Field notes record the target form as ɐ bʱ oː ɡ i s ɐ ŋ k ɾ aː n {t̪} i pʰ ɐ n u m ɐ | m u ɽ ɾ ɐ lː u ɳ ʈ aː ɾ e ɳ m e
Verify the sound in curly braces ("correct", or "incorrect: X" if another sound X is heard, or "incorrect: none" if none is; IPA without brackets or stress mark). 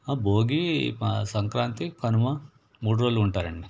correct